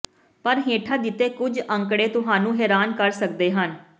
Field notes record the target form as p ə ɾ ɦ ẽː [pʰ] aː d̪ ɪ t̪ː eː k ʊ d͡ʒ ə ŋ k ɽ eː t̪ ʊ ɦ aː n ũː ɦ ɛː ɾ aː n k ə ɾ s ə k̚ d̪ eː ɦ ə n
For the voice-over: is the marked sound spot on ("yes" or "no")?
no